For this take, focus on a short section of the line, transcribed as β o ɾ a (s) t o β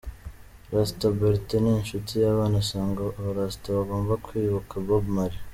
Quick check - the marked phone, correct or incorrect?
correct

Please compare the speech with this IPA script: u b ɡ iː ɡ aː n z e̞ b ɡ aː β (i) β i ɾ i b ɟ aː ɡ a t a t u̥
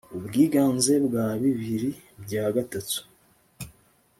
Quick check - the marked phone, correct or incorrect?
correct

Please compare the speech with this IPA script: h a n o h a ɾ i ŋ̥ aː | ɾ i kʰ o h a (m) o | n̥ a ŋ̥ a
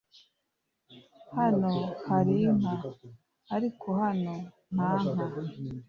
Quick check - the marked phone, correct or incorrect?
incorrect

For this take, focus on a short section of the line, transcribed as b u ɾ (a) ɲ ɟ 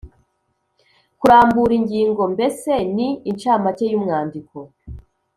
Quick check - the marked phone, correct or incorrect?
incorrect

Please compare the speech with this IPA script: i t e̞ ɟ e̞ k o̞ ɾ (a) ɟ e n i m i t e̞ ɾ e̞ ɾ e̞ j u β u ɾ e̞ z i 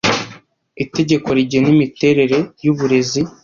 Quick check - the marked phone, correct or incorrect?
incorrect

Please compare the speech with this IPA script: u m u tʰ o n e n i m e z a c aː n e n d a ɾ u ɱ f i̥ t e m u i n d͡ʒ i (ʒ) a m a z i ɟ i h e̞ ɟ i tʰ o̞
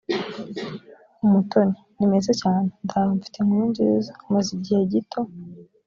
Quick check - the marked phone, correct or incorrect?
incorrect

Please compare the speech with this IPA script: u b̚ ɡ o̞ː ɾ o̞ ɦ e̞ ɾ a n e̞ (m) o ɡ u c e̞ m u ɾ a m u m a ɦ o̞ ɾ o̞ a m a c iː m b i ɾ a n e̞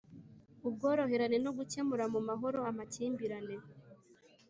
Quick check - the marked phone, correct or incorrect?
incorrect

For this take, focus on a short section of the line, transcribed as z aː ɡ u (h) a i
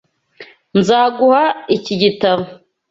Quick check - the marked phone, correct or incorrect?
correct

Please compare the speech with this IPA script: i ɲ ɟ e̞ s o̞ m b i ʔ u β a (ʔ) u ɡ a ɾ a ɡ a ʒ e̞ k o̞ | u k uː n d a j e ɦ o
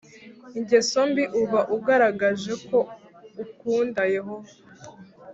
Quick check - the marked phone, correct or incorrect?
correct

